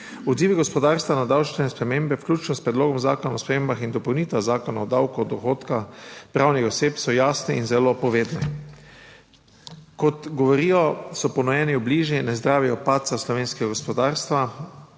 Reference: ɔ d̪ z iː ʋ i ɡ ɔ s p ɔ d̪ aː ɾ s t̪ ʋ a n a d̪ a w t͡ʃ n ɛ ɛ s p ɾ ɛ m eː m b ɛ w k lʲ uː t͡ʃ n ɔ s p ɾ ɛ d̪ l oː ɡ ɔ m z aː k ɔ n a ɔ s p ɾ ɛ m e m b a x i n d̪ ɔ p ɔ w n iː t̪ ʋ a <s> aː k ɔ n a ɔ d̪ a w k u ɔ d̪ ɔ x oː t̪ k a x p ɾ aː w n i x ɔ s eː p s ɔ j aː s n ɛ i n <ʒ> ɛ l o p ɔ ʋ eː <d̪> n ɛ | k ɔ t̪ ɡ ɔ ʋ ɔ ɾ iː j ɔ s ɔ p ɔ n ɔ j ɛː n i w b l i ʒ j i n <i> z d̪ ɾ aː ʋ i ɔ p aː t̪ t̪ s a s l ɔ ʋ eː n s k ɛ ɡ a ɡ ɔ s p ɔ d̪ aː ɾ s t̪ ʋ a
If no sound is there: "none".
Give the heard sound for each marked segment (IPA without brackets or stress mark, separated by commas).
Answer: z, z, d̪, ɛ